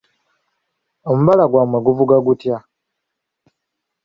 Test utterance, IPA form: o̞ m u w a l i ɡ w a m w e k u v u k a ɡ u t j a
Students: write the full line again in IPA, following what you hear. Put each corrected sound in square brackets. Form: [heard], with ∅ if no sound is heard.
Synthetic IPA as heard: o̞ m u [β] a l [a] ɡ w a m w e [ɡ] u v u [ɡ] a ɡ u t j a